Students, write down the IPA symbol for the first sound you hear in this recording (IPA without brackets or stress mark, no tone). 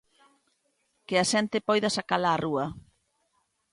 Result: k